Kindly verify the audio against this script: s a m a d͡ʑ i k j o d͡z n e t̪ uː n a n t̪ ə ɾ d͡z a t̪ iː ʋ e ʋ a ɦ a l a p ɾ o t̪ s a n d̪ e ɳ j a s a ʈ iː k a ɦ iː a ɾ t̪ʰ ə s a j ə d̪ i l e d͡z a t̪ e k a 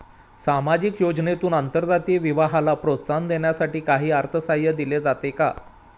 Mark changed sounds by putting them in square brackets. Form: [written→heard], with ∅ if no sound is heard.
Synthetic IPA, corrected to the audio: s a m a d͡ʑ i k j o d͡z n e t̪ uː n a n t̪ ə ɾ d͡z a t̪ iː ʋ [e→i] ʋ a ɦ a l a p ɾ o t̪ s a n d̪ e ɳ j a s a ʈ iː k a ɦ iː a ɾ t̪ʰ ə s a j ə d̪ i l e d͡z a t̪ e k a